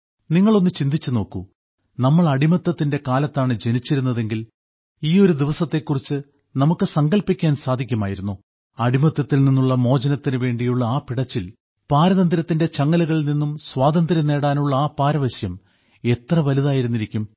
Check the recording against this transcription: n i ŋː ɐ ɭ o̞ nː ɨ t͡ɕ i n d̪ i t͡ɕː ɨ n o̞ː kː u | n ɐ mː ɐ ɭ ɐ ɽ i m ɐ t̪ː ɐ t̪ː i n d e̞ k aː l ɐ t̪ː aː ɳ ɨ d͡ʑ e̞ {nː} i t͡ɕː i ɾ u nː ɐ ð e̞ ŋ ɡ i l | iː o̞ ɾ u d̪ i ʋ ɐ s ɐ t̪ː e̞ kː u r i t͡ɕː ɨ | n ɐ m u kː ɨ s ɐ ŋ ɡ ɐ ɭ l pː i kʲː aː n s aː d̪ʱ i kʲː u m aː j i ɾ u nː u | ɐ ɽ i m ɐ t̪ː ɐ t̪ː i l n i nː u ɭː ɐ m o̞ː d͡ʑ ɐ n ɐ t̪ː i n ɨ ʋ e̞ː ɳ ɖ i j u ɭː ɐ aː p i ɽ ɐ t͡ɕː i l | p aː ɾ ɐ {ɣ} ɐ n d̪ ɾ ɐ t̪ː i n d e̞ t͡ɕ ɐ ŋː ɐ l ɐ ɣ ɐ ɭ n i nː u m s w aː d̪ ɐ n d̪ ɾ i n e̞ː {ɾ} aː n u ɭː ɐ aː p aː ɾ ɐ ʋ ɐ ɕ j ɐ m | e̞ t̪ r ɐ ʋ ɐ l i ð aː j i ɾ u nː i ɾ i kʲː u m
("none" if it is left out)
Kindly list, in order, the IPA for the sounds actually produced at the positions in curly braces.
n, ð, ɽ

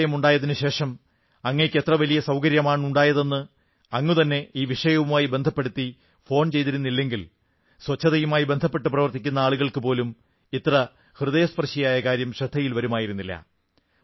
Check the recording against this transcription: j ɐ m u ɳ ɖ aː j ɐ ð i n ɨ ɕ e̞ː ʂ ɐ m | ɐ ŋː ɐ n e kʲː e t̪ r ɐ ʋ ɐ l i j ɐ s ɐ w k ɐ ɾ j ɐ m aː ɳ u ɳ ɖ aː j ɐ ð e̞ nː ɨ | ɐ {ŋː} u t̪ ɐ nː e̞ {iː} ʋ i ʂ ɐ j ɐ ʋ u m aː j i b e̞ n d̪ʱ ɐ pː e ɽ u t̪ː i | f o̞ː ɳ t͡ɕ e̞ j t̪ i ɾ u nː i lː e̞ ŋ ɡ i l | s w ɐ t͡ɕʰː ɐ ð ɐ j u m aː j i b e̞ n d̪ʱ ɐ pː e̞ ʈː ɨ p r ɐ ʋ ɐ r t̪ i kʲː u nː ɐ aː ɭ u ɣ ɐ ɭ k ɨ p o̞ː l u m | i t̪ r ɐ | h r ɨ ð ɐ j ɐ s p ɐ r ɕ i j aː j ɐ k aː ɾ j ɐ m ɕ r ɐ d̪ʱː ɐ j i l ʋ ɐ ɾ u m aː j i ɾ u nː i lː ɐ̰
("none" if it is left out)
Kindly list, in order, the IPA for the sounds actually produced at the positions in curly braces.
ŋː, iː

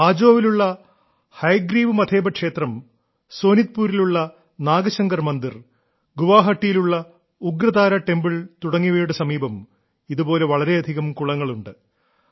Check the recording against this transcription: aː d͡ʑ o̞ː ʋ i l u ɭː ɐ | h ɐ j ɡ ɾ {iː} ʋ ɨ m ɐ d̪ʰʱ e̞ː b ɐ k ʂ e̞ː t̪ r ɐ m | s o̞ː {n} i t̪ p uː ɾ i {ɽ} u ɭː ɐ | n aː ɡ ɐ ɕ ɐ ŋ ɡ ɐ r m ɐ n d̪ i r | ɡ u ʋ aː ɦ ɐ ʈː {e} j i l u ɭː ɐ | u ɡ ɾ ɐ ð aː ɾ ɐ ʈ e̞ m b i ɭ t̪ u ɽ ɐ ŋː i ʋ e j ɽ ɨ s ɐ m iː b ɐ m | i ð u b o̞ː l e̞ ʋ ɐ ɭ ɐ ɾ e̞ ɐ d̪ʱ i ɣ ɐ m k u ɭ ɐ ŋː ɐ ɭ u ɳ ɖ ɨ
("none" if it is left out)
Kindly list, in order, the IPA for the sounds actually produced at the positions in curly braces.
iː, n, l, i

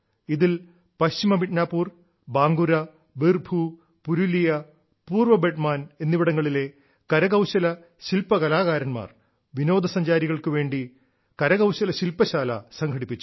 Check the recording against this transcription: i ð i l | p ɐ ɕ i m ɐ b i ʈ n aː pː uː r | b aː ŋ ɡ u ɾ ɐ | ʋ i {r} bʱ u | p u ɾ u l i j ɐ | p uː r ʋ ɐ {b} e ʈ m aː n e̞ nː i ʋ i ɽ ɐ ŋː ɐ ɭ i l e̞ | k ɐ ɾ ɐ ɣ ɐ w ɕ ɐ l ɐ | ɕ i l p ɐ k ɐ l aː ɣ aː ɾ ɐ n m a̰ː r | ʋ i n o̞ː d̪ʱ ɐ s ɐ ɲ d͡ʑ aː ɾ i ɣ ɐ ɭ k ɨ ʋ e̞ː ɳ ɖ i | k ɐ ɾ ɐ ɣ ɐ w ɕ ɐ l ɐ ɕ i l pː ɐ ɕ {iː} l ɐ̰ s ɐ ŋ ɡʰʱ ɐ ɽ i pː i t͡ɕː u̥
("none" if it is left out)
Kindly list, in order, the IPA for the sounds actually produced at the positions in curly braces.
r, b, aː

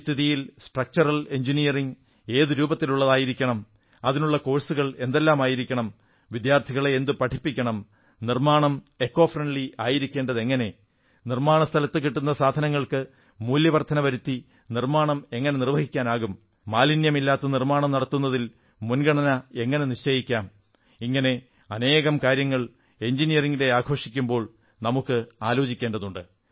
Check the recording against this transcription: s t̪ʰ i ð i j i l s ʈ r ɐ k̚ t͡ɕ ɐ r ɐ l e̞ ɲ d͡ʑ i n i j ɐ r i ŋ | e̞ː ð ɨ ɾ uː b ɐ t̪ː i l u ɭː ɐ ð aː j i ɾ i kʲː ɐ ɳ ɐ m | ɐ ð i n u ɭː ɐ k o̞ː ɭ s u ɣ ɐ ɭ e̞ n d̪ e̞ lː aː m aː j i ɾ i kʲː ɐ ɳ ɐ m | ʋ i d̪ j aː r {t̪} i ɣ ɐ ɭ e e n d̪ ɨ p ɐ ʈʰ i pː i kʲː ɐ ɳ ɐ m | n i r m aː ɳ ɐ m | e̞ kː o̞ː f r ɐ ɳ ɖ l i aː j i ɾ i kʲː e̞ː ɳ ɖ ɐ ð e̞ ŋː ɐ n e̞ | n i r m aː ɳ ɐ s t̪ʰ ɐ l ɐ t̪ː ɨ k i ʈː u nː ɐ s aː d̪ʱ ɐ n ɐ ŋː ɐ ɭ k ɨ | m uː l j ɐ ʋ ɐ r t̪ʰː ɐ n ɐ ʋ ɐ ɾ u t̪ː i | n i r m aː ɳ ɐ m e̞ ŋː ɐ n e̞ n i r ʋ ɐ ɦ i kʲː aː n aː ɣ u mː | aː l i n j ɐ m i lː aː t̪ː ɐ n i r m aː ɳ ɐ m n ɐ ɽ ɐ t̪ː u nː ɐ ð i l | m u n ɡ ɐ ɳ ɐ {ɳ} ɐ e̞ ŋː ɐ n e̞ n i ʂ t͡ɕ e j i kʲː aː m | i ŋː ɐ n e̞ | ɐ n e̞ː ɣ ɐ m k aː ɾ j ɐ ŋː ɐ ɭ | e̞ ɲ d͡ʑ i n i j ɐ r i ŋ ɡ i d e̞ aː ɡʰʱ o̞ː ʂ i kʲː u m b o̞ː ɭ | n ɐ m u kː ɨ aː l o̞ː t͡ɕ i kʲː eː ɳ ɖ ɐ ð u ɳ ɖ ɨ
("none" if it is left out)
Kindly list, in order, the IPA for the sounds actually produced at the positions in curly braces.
t̪ʰ, n

